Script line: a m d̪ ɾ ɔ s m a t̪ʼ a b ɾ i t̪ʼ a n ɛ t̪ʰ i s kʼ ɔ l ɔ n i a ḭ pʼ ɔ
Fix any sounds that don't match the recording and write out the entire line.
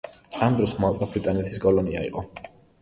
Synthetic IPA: a m d̪ ɾ ɔ s m a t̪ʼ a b ɾ i t̪ʼ a n ɛ t̪ʰ i s kʼ ɔ l ɔ n i a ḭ qʼ ɔ